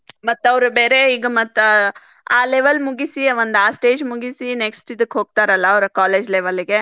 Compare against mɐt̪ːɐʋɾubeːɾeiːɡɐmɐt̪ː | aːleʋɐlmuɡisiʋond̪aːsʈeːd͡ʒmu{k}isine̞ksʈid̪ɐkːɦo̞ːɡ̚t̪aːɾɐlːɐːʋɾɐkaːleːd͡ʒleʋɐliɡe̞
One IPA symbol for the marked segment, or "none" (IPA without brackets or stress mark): ɡ